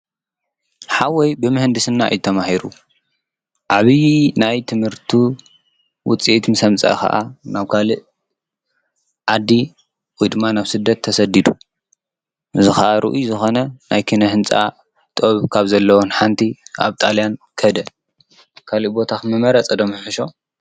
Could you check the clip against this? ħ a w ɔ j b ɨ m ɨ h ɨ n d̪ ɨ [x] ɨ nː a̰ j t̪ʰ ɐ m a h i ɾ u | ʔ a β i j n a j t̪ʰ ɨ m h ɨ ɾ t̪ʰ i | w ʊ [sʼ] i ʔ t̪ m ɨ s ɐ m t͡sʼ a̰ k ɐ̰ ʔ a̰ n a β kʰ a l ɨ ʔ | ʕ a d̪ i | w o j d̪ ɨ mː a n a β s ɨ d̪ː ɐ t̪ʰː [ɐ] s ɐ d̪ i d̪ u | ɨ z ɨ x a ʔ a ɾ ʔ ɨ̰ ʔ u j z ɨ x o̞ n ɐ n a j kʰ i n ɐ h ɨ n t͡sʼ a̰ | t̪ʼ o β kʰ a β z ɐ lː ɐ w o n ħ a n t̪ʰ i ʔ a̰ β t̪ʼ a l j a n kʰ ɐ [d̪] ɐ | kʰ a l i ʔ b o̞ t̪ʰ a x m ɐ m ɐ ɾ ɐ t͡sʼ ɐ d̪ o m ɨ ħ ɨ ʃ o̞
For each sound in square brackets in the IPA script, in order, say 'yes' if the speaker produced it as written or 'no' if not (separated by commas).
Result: no, no, yes, yes